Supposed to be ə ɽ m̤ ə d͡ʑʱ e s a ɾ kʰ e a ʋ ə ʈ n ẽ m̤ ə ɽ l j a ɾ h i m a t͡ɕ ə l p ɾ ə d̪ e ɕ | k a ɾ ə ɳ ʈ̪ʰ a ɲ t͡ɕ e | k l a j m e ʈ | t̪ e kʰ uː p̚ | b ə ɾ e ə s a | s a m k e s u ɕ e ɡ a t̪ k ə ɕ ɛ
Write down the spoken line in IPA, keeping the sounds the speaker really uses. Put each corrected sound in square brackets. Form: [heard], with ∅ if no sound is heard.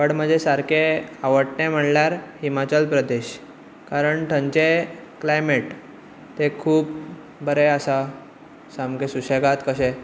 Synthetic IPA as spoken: ə ɽ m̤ ə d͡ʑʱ e s a ɾ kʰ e a ʋ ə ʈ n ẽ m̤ ə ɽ l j a ɾ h i m a t͡ɕ ə l p ɾ ə d̪ e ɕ | k a ɾ ə ɳ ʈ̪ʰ [ə] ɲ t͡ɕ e | k l a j m e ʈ | t̪ e kʰ uː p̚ | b ə ɾ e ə s a | s a m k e s u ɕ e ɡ a t̪ k ə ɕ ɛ

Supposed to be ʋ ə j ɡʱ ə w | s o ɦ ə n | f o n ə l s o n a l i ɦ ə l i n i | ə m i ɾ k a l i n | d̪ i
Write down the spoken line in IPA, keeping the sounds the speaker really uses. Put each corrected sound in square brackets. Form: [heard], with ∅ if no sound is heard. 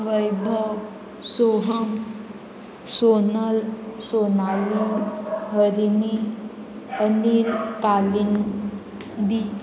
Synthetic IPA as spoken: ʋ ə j [bʱ] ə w | s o ɦ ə [m] | [s] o n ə l s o n a l i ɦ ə [ɾ] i n i | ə [n] i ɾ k a l i n | d̪ i

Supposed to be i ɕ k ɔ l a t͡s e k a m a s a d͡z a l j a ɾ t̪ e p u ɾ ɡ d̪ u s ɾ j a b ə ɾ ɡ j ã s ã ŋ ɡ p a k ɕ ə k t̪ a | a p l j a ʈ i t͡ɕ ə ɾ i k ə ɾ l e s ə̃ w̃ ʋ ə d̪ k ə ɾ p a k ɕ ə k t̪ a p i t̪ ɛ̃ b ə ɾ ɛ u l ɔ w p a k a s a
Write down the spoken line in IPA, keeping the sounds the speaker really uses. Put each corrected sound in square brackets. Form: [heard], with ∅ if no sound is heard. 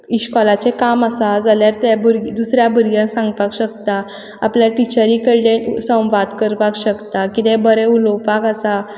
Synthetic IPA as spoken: i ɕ k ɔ l a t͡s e k a m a s a d͡z a l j a ɾ t̪ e [b] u ɾ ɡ d̪ u s ɾ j a b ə ɾ ɡ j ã s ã ŋ ɡ p a k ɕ ə k t̪ a | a p l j a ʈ i t͡ɕ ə ɾ i k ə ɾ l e s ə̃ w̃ ʋ [a] d̪ k ə ɾ p a k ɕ ə k t̪ a [k] i t̪ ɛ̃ b ə ɾ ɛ u l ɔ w p a k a s a

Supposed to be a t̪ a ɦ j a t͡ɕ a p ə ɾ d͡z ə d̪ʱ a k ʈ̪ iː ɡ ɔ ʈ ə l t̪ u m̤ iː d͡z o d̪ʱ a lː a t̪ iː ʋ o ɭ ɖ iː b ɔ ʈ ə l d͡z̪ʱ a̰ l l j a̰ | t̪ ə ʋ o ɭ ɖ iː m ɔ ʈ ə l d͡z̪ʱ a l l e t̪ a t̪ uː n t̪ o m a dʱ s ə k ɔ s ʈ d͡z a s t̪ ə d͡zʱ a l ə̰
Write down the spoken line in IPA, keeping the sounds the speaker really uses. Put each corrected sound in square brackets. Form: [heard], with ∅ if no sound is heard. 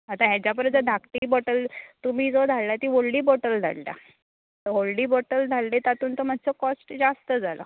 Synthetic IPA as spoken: a t̪ a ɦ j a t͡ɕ a p ə ɾ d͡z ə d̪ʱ a k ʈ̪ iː [b] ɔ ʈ ə l t̪ u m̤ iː d͡z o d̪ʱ a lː a t̪ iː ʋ o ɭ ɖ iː b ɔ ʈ ə l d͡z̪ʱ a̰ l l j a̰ | t̪ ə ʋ o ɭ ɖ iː [b] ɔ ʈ ə l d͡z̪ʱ a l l e t̪ a t̪ uː n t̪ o m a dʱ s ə k ɔ s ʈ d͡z a s t̪ ə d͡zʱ a l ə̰

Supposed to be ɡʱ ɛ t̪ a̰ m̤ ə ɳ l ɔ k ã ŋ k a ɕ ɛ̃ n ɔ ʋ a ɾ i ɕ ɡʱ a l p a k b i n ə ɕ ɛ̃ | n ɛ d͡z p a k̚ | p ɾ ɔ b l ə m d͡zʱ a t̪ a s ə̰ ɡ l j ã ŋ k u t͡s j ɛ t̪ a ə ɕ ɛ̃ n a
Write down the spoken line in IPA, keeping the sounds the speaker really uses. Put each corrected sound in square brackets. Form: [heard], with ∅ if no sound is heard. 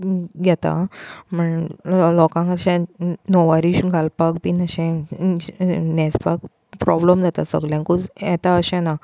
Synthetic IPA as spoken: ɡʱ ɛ t̪ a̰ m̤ ə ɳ l ɔ k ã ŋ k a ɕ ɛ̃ n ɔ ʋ a ɾ i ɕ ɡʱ a l p a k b i n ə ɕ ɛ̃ | n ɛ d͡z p a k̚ | p ɾ ɔ b l ə m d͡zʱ a t̪ a s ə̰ ɡ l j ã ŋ k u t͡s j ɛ t̪ a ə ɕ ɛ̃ n a

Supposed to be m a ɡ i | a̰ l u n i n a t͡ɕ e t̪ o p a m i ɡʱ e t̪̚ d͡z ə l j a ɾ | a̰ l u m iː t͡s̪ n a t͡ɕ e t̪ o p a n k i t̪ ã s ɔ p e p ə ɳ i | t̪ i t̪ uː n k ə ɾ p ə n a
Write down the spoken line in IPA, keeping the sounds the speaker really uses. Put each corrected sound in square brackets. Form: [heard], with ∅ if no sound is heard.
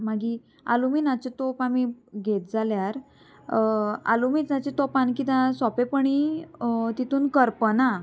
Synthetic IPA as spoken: m a ɡ i | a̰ l u [m] i n a t͡ɕ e t̪ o p a m i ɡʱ e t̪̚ d͡z [a] l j a ɾ | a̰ l u m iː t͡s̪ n a t͡ɕ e t̪ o p a n k i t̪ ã s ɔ p e p ə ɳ i | t̪ i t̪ uː n k ə ɾ p ə n a

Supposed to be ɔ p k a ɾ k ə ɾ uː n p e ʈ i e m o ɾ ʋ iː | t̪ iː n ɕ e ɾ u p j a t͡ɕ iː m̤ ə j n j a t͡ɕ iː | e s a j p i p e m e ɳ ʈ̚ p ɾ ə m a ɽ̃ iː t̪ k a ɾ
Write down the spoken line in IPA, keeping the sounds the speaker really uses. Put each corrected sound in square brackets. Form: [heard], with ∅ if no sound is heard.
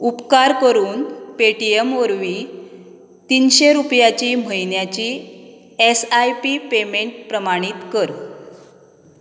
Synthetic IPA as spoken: [u] p k a ɾ k ə ɾ uː n p e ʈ i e m o ɾ ʋ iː | t̪ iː n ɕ e ɾ u p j a t͡ɕ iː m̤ ə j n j a t͡ɕ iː | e s a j p i p e m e ɳ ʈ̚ p ɾ ə m a ɽ̃ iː t̪ k [ə] ɾ

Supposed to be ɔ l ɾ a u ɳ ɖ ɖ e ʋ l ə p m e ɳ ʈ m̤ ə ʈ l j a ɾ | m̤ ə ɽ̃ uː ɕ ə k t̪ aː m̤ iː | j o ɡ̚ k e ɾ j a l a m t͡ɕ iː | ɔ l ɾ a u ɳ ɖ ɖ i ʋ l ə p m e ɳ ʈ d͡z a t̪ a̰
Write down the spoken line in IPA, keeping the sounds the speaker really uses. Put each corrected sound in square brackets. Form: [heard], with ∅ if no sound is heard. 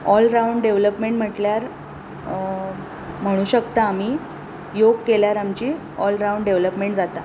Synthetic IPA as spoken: ɔ l ɾ a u ɳ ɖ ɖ e ʋ l ə p m e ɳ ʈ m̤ ə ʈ l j a ɾ | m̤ ə ɽ̃ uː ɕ ə k t̪ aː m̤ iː | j o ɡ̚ k e [l] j a [ɾ] a m t͡ɕ iː | ɔ l ɾ a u ɳ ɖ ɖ [e] ʋ l ə p m e ɳ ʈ d͡z a t̪ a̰

